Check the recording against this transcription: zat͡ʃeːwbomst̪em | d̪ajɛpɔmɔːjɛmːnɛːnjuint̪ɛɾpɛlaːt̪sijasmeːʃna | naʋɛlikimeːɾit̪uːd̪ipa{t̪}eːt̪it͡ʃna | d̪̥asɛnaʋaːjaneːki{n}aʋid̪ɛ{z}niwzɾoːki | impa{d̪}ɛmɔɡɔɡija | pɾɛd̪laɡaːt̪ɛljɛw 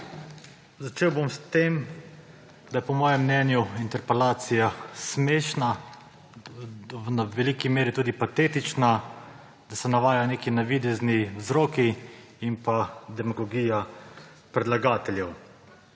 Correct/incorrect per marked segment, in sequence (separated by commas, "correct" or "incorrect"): correct, correct, correct, correct